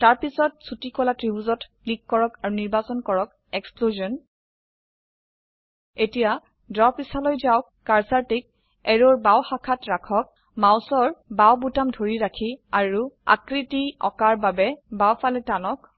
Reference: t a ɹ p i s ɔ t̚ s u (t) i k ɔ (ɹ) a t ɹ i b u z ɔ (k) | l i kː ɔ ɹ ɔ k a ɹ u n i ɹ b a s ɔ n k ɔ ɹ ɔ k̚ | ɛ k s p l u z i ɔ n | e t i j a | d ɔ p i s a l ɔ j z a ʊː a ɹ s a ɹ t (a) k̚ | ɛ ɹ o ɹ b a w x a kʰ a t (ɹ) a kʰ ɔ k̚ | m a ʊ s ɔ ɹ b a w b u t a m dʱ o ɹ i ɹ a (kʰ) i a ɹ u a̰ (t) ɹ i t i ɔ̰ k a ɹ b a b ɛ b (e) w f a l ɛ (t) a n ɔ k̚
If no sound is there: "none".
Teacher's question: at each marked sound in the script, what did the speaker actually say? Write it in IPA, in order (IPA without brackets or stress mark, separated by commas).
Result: t, l, t, i, ɹ, kʰ, k, a, t